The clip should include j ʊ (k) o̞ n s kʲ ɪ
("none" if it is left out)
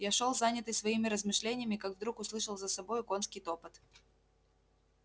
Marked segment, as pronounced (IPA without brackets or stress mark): k